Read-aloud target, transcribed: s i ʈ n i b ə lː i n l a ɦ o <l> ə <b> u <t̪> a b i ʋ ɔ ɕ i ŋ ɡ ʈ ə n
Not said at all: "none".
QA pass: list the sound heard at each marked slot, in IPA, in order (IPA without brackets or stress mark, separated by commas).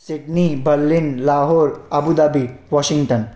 ɾ, b, d̪